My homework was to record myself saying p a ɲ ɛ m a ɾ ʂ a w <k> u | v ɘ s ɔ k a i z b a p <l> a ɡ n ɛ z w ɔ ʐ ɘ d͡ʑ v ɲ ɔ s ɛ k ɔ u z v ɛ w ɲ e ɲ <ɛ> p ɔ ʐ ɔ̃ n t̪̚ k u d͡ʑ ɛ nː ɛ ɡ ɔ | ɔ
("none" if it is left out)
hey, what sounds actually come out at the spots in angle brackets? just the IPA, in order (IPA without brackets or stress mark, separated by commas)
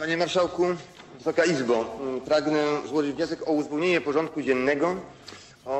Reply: k, ɾ, ɛ